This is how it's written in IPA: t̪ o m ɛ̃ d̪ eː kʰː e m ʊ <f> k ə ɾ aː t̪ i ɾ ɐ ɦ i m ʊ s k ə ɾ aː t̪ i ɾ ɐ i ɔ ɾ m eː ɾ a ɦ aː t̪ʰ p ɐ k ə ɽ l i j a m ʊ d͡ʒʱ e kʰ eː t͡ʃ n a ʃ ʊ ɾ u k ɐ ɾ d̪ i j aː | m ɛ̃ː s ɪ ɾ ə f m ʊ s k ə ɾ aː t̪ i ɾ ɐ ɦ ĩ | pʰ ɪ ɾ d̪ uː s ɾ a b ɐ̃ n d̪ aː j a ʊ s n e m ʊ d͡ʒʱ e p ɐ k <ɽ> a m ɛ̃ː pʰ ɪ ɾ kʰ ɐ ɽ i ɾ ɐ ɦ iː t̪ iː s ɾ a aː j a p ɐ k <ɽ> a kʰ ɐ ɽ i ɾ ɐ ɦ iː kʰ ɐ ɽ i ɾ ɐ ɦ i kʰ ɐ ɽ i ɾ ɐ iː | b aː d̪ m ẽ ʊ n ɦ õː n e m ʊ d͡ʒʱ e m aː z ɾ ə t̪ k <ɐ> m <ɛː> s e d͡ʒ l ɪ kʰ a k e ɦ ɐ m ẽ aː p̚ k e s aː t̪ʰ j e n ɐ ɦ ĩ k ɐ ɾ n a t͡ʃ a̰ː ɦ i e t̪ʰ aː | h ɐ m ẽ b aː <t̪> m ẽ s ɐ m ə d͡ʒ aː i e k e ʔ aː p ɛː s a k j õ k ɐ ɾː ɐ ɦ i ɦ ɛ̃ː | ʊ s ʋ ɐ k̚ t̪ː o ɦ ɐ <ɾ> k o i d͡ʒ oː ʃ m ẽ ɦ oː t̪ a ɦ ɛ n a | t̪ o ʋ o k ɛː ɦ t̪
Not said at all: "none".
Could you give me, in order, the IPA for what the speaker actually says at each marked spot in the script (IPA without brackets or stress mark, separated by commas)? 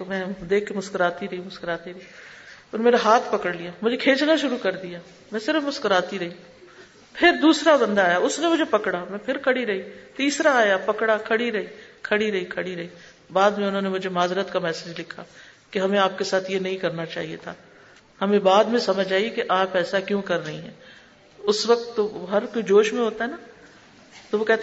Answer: s, ɽ, ɽ, a, ɛː, d̪, ɾ